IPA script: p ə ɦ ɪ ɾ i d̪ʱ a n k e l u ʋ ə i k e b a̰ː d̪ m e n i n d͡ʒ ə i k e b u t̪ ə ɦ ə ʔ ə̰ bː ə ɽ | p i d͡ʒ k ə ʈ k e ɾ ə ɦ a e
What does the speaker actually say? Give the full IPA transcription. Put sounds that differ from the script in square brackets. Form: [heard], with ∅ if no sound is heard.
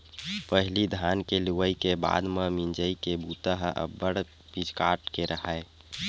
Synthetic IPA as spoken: p ə ɦ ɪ [l] i d̪ʱ a n k e l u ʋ ə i k e b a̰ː d̪ m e [m] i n d͡ʒ ə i k e b u t̪ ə ɦ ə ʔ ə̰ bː ə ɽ | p i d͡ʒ k [a] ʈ k e ɾ ə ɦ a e